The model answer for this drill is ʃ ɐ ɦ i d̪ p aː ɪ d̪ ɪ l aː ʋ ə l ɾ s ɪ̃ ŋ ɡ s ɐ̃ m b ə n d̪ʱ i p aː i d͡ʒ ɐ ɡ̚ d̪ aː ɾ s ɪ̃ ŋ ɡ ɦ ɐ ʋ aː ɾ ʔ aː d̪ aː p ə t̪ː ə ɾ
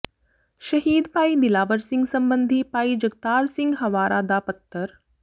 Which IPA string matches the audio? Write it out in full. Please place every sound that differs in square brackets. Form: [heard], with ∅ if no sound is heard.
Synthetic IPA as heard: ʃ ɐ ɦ [iː] d̪ p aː [i] d̪ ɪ l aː ʋ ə [∅] ɾ s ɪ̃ ŋ ɡ s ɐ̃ m b ə n d̪ʱ i p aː i d͡ʒ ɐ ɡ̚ [t̪] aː ɾ s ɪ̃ ŋ ɡ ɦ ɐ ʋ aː ɾ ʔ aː d̪ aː p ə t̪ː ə ɾ